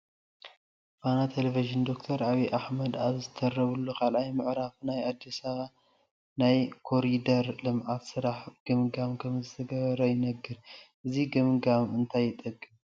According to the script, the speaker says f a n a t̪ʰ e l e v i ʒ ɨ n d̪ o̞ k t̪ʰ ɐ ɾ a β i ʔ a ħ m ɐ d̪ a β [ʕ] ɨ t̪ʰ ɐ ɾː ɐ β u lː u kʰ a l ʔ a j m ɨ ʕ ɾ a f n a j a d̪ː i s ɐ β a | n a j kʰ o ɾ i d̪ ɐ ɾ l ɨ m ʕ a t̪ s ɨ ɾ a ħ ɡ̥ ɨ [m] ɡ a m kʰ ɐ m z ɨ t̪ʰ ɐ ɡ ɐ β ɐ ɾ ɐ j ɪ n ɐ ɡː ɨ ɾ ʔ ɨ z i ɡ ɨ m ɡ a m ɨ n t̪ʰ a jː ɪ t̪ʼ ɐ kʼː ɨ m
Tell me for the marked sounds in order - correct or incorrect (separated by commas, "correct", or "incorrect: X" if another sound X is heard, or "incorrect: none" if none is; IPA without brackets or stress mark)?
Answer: incorrect: z, correct